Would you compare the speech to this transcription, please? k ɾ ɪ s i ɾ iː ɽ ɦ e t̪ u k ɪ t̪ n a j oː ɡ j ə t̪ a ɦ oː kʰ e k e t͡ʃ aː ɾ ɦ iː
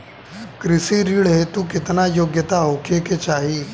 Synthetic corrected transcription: k ɾ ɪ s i ɾ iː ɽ ɦ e t̪ u k ɪ t̪ n a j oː ɡ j ə t̪ a ɦ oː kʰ e k e t͡ʃ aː ɦ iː